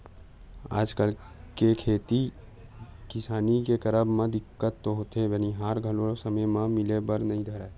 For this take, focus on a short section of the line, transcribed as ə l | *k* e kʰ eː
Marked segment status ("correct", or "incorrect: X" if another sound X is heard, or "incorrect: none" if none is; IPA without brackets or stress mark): correct